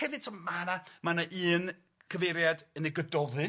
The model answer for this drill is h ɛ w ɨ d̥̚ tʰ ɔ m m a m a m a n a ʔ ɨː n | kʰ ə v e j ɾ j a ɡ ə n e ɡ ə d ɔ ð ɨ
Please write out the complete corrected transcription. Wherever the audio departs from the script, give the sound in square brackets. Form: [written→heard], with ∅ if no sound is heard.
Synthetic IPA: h ɛ [w→v] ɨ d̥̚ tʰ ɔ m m a [m→n] a m a n a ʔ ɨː n | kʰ ə v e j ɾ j a [ɡ→d] ə n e ɡ ə d ɔ ð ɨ